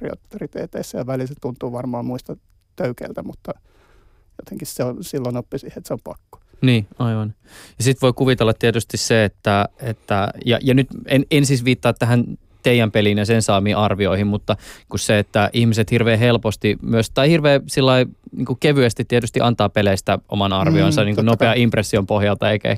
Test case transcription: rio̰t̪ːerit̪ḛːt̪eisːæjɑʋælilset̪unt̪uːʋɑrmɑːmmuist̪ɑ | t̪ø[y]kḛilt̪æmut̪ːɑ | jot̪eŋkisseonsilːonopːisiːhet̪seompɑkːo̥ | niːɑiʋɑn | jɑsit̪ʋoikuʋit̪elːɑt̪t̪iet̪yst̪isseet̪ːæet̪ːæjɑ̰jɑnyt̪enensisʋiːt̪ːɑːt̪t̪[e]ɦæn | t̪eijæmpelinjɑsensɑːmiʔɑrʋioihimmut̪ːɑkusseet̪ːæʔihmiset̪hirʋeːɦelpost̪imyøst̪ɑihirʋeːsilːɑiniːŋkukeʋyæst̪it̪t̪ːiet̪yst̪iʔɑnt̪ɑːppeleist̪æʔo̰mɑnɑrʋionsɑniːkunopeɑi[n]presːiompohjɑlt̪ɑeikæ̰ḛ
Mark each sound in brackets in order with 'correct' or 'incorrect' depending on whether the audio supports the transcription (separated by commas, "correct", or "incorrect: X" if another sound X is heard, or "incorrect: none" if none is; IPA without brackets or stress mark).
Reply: correct, incorrect: æ, incorrect: m